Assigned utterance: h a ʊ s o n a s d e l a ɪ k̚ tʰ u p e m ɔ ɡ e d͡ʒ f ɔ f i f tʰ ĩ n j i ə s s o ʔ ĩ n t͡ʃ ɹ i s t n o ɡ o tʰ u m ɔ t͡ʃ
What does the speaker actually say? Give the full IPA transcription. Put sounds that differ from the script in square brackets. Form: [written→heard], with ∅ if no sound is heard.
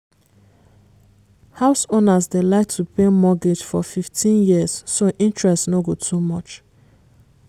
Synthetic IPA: h a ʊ s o n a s d e l a ɪ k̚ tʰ u p e m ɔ ɡ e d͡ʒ f ɔ f i f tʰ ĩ n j i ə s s o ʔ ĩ n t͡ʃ ɹ [i→ɛ] s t n o ɡ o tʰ u m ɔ t͡ʃ

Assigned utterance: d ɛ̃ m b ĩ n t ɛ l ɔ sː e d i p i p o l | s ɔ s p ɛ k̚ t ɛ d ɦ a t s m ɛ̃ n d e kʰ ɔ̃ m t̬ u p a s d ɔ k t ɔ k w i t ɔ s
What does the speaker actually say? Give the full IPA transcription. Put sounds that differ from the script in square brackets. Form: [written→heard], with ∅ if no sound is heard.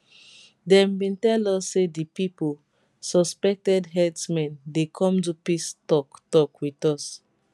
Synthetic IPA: d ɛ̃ m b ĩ n t ɛ l ɔ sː e d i p i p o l | s ɔ s p ɛ k̚ t ɛ d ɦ [a→ɛ] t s m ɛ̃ n d e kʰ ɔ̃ m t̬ u p [a→i] s [d→t] ɔ k t ɔ k w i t ɔ s

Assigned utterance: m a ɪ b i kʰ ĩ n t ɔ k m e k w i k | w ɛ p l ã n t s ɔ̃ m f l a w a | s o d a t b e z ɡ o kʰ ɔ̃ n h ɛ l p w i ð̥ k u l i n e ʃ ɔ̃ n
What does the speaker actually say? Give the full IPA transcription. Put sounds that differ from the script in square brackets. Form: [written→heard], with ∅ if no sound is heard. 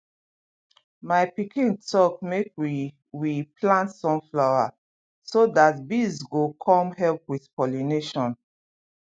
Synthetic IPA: m a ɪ [b→p] i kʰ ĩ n t ɔ k m e k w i [k→∅] | w [ɛ→i] p l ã n t s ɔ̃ m f l a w a | s o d a t b [e→i] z ɡ o kʰ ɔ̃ [n→m] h ɛ l p w i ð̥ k [u→ɔ] l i n e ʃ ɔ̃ n

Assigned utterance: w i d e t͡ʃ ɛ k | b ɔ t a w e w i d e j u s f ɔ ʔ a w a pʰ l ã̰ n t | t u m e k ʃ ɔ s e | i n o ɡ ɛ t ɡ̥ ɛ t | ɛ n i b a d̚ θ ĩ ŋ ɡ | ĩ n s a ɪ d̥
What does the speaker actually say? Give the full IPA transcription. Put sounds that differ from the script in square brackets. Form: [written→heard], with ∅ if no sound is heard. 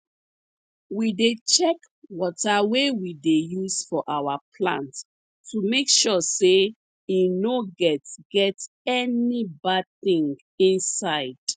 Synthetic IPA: w i d e t͡ʃ ɛ k | [b→w] ɔ t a w e w i d e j u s f ɔ ʔ a w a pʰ l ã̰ n t | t u m e k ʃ ɔ s e | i n o ɡ ɛ t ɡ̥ ɛ t | ɛ n i b a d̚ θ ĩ ŋ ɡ | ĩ n s a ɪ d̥

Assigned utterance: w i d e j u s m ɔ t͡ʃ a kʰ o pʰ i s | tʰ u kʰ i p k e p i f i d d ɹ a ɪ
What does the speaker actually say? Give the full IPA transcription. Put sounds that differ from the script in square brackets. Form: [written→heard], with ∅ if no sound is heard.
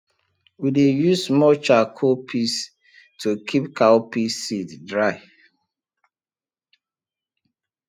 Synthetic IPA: w i d e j u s m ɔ t͡ʃ a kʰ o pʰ i s | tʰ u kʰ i p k [e→a] p i [f→s] i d d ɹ a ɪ

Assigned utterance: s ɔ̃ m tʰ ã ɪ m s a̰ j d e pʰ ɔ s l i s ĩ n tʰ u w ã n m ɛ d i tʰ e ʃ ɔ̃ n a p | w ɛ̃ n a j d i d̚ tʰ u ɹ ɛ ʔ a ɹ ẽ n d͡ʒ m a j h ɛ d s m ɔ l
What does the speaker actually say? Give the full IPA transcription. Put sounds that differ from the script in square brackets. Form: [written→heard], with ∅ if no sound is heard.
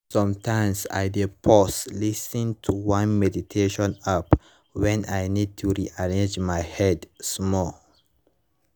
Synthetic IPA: s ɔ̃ m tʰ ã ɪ m s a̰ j d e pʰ ɔ s l i s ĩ n tʰ u w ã n m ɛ d i tʰ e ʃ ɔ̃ n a p | w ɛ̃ n a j [d→n] i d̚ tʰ u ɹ [ɛ→i] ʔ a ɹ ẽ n d͡ʒ m a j h ɛ d s m ɔ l

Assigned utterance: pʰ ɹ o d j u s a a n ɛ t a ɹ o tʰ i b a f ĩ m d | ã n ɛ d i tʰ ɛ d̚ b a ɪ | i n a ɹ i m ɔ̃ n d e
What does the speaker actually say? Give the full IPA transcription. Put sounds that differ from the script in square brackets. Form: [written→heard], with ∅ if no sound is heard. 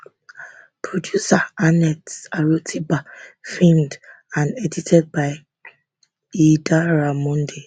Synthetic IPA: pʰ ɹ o d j u s a a n ɛ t a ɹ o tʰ i b a f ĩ m d | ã n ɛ d i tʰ ɛ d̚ b a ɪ | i [n→d] a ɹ [i→a] m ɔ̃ n d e

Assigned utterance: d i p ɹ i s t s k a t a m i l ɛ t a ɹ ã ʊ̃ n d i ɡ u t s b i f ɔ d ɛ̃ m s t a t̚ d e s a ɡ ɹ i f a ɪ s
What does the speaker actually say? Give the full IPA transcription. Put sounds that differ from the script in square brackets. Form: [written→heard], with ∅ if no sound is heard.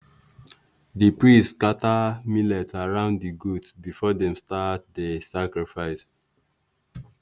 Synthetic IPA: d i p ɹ i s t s k a t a m i l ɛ t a ɹ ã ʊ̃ n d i ɡ u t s b i f ɔ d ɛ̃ m s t a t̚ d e s a [ɡ→k] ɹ i f a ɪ s

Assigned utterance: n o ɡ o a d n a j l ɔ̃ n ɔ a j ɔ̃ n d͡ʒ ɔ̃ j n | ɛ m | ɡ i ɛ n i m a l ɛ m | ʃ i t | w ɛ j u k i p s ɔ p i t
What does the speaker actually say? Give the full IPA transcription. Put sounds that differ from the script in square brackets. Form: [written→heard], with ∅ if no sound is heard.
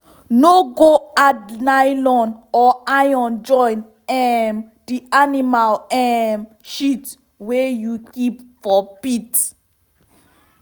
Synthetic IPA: n o ɡ o a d n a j l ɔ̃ n ɔ a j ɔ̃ n d͡ʒ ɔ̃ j n | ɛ m | [ɡ→d] i [ɛ→a] n i m a l ɛ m | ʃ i t | w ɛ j u k i p [s→f] ɔ p i t

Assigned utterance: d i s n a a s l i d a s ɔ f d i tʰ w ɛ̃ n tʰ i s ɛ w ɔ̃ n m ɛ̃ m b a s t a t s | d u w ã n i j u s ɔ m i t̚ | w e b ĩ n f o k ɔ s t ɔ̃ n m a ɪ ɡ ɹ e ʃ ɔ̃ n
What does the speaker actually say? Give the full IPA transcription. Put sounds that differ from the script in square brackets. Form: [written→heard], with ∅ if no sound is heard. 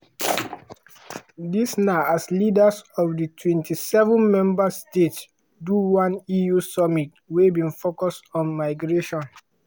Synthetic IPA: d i s n a a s l i d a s ɔ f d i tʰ w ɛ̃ n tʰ i s ɛ [w→v] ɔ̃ n m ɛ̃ m b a s t [a→e] t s | d u w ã n i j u s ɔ m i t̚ | w e b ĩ n f o k ɔ s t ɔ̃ n m a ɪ ɡ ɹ e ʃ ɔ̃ n

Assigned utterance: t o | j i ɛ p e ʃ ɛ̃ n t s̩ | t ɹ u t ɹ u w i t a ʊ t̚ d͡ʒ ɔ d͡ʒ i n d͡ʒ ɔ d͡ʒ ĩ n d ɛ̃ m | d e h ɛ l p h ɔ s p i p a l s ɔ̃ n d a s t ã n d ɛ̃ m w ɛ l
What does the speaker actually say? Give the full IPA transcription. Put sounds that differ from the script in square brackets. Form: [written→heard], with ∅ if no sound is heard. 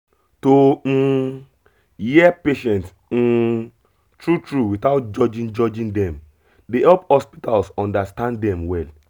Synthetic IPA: t o | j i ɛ p e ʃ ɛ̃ n t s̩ | t ɹ u t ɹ u w i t a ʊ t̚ d͡ʒ ɔ d͡ʒ [i→ĩ] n d͡ʒ ɔ d͡ʒ ĩ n d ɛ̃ m | d e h ɛ l p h ɔ s p i [p→t] a l s ɔ̃ n d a s t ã n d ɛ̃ m w ɛ l

